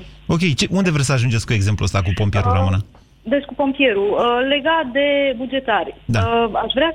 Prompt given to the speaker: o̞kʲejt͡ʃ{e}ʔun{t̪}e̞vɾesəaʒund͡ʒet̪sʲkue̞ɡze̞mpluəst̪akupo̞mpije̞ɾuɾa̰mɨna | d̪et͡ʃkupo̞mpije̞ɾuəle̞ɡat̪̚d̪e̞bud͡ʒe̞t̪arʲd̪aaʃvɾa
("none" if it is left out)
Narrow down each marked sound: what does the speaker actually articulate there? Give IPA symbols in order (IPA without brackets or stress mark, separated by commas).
e, d̪